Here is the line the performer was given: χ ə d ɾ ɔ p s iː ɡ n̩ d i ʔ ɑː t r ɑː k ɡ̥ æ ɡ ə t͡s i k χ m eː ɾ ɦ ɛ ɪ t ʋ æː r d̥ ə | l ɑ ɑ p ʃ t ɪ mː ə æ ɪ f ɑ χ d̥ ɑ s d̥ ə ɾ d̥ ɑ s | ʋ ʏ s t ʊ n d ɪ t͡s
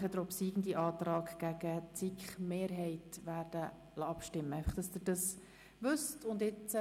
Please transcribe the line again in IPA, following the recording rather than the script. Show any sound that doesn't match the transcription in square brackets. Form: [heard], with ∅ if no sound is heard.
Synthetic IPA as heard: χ ə d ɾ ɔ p s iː ɡ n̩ d i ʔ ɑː t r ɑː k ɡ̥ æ ɡ ə t͡s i k χ m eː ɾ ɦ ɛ ɪ t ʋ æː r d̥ ə | l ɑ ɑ p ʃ t ɪ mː ə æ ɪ f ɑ χ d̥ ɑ s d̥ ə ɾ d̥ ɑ s | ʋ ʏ s t ʊ n d ɪ t͡s